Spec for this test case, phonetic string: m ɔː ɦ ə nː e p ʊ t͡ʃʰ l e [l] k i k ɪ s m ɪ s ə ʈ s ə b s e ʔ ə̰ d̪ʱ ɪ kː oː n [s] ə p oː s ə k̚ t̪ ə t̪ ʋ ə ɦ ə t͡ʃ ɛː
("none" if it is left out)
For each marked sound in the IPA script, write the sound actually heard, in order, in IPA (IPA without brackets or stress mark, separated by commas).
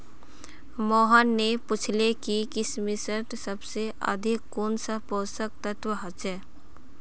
none, s